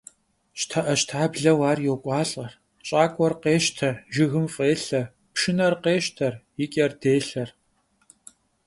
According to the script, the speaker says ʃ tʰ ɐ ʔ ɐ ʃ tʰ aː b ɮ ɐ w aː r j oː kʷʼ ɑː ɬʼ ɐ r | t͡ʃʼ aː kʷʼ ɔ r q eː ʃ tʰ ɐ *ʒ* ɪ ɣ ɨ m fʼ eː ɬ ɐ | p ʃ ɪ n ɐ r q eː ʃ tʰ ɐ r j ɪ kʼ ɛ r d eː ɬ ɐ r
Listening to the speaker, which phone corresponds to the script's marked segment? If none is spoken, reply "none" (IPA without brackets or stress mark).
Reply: ʒ